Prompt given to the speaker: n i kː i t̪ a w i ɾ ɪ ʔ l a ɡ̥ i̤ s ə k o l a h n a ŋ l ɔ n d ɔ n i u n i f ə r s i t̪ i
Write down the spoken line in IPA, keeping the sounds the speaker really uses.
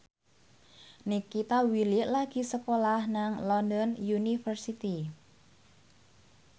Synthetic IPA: n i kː i t̪ a w i l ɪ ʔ l a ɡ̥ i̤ s ə k o l a h n a ŋ l ɔ n d ɔ n j u n i f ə r s i t̪ i